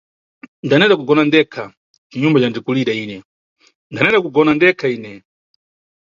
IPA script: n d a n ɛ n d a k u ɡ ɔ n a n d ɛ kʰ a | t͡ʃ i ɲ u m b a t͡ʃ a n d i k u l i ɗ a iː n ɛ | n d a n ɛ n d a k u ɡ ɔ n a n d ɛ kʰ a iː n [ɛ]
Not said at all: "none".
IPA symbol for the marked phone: ɛ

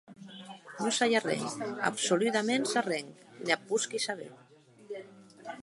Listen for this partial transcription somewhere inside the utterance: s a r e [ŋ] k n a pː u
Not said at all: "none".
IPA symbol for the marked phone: ŋ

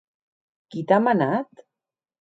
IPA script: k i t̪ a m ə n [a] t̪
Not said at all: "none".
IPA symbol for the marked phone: a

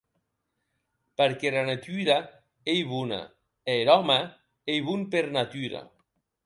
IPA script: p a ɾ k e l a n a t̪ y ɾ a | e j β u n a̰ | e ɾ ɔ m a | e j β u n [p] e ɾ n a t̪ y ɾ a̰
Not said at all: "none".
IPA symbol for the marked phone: p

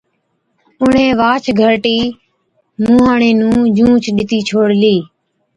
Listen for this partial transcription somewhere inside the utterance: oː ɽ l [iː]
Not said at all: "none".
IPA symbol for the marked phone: iː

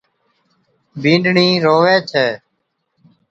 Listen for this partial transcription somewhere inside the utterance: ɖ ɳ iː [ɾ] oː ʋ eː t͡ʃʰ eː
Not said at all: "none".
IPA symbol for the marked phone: ɾ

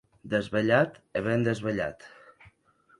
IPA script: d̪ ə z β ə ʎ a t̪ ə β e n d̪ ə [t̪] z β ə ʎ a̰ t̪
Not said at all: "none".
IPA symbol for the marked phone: none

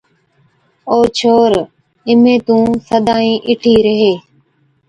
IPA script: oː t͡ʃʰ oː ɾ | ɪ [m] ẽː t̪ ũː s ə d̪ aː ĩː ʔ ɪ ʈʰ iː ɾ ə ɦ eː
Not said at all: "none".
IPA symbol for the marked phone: m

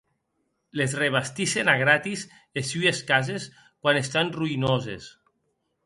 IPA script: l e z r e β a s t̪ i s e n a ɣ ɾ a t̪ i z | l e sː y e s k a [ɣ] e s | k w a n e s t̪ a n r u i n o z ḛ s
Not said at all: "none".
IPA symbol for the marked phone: z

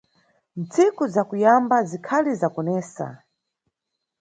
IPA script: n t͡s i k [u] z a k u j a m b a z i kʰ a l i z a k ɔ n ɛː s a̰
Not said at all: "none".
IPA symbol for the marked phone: u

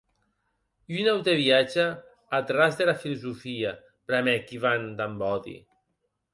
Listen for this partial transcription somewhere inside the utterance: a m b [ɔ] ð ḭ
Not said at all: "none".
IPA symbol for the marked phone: ɔ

